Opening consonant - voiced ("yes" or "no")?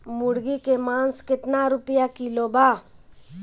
yes